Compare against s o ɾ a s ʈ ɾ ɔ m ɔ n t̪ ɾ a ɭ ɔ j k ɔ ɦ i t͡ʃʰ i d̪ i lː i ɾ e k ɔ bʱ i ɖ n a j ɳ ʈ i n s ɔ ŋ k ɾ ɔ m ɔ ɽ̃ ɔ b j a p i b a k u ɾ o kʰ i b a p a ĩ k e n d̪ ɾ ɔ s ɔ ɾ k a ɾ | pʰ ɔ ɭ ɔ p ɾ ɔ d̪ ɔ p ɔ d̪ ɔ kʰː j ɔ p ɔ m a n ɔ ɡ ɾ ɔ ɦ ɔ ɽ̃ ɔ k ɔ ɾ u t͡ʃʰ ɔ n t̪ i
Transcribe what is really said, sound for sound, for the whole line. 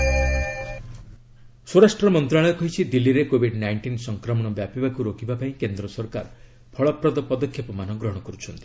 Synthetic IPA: s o ɾ a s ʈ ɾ ɔ m ɔ n t̪ ɾ a ɭ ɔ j k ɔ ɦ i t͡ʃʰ i d̪ i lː i ɾ e k o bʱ i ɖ n a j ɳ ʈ i n s ɔ ŋ k ɾ ɔ m ɔ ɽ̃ ɔ b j a p i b a k u ɾ o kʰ i b a p a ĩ k e n d̪ ɾ ɔ s ɔ ɾ k a ɾ | pʰ ɔ ɭ ɔ p ɾ ɔ d̪ ɔ p ɔ d̪ ɔ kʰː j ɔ p ɔ m a n ɔ ɡ ɾ ɔ ɦ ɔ ɽ̃ ɔ k ɔ ɾ u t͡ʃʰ ɔ n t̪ i